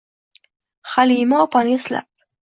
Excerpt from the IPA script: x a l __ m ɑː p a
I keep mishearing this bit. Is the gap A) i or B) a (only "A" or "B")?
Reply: A